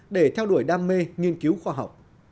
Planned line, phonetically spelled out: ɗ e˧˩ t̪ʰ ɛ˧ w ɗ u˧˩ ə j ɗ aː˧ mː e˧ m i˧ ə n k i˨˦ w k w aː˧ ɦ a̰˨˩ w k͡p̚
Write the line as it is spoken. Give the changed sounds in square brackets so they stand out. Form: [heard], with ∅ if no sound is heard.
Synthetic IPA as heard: ɗ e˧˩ t̪ʰ ɛ˧ w ɗ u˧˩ ə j ɗ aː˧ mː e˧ [ŋ] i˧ ə n k i˨˦ w [x] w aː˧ ɦ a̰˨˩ w k͡p̚